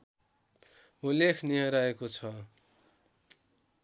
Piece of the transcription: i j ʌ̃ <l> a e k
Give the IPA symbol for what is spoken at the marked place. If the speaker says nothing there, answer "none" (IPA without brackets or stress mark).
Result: ɾ